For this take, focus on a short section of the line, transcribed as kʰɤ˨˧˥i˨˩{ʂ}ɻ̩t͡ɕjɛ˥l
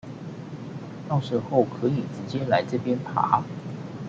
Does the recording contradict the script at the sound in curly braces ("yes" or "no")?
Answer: yes